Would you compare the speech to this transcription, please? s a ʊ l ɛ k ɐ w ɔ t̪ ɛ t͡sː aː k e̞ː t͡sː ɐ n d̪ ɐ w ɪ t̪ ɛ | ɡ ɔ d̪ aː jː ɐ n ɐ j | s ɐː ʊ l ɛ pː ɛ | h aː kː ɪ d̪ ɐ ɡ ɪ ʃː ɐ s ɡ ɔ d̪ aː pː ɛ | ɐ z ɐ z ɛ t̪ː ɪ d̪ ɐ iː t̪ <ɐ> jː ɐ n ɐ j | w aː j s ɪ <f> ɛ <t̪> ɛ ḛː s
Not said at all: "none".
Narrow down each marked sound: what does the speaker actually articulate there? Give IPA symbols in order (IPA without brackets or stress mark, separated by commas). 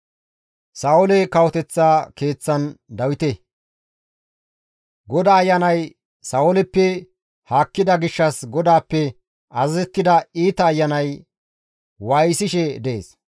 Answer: ɐː, ʃ, d̪